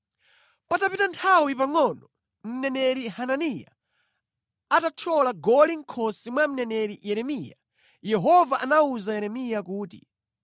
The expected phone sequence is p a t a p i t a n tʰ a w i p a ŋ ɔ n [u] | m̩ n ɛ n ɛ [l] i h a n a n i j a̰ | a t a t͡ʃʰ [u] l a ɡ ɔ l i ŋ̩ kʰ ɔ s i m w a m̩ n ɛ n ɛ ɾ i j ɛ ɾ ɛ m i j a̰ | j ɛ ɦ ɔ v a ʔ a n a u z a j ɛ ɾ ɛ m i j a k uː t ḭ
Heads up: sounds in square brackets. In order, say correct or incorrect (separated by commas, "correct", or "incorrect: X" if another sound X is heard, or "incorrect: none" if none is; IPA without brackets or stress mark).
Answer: incorrect: ɔ, incorrect: ɾ, incorrect: ɔ